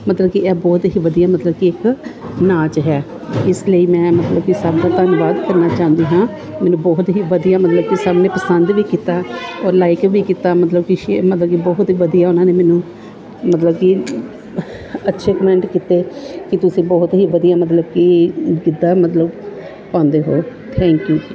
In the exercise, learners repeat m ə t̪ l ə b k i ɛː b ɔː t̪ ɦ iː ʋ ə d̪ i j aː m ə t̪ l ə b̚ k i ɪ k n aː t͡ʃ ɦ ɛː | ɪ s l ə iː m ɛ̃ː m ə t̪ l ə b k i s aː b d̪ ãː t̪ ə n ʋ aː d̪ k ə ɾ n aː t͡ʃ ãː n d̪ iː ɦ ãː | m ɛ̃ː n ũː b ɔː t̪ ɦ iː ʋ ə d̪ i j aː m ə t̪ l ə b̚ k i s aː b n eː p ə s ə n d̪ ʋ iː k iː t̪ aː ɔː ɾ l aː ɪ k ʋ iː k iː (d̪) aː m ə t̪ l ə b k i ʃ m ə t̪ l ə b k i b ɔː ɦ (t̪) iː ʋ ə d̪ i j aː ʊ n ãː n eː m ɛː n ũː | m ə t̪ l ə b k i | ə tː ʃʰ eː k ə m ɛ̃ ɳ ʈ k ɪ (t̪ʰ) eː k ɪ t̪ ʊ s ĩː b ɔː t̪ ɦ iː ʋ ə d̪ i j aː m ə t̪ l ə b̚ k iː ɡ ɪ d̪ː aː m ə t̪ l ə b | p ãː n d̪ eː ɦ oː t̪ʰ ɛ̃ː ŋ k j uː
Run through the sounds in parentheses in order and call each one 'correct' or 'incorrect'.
incorrect: t̪, correct, incorrect: t̪

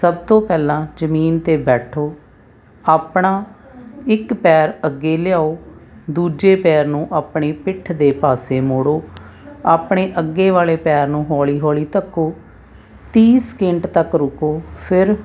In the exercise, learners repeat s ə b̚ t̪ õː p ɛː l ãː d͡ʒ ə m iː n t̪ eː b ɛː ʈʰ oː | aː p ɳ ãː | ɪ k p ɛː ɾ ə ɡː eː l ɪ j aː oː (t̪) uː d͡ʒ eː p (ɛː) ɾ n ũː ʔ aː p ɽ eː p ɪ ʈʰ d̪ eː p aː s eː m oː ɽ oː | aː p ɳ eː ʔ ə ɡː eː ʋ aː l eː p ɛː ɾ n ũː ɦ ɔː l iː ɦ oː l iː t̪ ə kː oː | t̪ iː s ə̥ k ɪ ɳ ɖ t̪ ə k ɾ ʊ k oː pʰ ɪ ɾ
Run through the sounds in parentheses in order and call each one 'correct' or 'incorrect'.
incorrect: d̪, correct

